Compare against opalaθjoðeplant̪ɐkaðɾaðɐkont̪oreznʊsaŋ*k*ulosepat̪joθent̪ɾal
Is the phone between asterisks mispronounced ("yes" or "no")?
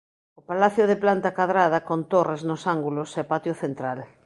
yes